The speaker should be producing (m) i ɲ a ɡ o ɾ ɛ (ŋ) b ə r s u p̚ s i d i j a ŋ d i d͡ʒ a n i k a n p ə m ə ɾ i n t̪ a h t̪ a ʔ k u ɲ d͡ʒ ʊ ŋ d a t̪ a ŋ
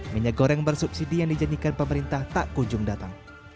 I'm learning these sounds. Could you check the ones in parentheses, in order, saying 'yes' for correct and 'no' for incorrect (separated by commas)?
yes, yes